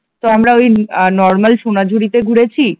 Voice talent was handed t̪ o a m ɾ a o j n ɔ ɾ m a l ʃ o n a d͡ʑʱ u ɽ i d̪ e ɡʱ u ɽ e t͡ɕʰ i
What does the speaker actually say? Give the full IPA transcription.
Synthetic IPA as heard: t̪ o a m ɾ a o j n ɔ ɾ m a l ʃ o n a d͡ʑʱ u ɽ i t̪ e ɡʱ u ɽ e t͡ɕʰ i